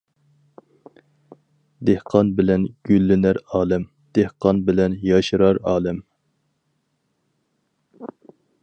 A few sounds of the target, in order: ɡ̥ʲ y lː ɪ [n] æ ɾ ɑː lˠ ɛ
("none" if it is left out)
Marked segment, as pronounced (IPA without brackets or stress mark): n